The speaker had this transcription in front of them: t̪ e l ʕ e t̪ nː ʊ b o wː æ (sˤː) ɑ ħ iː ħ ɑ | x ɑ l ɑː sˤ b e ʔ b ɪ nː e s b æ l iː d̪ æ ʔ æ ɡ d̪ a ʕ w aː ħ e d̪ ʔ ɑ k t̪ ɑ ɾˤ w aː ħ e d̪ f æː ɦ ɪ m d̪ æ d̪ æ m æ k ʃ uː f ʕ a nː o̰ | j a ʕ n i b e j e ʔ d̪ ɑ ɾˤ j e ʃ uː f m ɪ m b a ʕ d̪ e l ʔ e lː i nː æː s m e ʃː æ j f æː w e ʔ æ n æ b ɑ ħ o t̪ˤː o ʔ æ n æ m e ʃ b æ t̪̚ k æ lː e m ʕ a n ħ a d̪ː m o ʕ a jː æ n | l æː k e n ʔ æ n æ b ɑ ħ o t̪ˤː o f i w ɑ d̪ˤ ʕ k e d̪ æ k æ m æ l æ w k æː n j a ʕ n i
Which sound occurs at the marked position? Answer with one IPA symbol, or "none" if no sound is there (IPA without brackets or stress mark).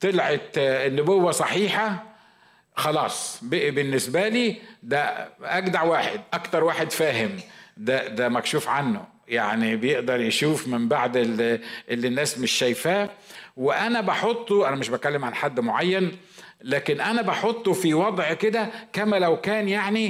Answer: sˤ